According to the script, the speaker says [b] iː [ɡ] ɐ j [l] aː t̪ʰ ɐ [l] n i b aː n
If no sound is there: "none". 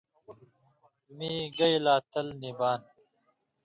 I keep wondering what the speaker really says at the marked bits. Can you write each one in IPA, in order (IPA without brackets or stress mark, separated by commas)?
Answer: m, ɡ, l, l